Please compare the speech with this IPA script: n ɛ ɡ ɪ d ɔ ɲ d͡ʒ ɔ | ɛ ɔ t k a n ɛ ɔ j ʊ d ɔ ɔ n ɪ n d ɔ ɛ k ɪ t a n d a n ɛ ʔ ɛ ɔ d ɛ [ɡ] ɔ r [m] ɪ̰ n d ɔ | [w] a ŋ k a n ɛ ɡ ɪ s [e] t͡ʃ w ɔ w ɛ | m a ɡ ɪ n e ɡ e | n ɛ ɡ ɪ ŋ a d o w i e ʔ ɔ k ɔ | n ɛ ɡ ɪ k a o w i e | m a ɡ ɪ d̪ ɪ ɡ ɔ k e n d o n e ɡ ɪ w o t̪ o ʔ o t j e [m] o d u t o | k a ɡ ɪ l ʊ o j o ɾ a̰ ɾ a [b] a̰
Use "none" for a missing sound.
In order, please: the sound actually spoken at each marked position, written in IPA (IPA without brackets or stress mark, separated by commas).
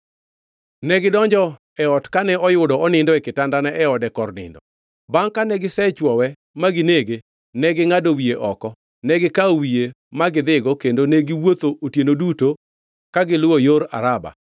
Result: k, n, b, ɛ, n, b